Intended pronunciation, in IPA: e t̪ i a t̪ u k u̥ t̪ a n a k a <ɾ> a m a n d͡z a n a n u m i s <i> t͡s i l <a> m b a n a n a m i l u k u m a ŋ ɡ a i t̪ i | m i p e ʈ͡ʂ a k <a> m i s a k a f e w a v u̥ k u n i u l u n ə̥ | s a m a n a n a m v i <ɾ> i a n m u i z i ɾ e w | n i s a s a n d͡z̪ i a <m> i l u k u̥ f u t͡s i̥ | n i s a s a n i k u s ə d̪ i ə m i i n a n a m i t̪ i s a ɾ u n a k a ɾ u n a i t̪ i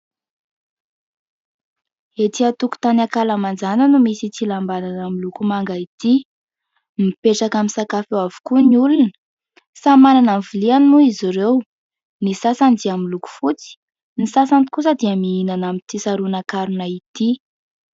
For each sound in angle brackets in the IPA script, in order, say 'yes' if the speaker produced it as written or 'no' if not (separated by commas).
no, yes, yes, yes, no, yes